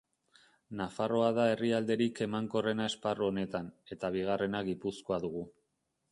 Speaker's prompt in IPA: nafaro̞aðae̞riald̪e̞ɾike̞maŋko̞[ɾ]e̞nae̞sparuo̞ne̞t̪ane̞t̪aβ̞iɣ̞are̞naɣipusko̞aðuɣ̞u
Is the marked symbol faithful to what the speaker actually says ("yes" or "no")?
no